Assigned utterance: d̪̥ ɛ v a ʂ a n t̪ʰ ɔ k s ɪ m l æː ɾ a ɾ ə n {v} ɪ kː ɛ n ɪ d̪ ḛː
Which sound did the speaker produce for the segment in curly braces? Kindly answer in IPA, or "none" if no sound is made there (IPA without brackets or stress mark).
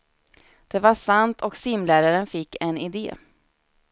f